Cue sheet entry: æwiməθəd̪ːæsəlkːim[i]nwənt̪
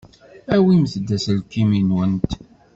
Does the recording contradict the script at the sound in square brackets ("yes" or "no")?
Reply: no